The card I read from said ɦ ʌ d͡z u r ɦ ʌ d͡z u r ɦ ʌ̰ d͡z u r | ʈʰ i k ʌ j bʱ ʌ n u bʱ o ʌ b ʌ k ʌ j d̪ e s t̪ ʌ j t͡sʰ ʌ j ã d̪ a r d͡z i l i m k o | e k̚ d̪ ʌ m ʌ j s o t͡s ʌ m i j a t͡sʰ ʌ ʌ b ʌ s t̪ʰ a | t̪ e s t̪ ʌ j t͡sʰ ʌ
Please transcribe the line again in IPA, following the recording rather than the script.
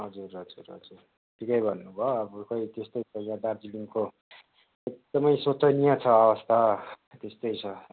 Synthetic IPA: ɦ ʌ d͡z u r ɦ ʌ d͡z u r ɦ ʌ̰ d͡z u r | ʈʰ i k ʌ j bʱ ʌ nː u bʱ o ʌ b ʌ k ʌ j t̪ e s t̪ ʌ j t͡sʰ ʌ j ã d̪ a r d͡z i l i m k o | e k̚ d̪ ʌ m ʌ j s o t͡s ʌ n i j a t͡sʰ ʌ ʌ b ʌ s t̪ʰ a | t̪ e s t̪ ʌ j t͡sʰ ʌ